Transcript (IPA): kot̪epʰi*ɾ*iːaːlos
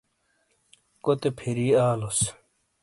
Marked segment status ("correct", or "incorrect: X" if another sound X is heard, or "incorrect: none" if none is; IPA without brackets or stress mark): correct